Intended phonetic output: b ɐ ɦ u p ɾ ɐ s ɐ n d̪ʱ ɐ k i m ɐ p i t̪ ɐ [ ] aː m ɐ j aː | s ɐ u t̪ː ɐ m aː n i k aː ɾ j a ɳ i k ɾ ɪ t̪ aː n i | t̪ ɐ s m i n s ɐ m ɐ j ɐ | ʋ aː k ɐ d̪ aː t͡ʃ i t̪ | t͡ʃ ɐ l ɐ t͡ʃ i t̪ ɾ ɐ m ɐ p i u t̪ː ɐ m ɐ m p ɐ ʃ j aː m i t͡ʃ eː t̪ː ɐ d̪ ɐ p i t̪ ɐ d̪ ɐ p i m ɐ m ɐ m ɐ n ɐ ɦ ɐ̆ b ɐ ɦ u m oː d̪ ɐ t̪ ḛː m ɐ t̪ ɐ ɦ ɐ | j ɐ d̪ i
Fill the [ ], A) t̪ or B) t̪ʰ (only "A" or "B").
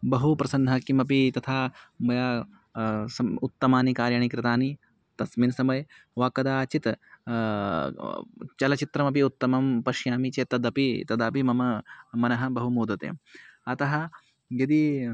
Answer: B